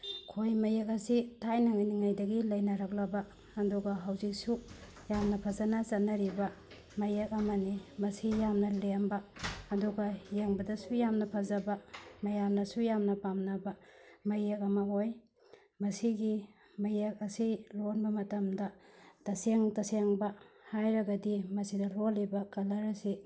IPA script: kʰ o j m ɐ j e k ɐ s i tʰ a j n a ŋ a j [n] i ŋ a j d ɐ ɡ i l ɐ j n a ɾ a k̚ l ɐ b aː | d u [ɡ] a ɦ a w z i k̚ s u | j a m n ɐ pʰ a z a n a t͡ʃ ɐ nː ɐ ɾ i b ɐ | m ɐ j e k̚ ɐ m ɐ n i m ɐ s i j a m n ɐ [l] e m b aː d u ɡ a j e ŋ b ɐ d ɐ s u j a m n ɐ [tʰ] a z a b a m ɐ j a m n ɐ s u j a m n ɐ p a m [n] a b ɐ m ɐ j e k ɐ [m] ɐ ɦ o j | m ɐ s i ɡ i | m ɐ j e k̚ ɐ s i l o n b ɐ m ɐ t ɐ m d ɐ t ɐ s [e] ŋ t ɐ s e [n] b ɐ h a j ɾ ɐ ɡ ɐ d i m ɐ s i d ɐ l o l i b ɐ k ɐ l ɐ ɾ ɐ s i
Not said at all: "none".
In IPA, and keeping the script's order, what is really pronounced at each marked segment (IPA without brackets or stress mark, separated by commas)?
n, ɡ, l, pʰ, n, m, e, ŋ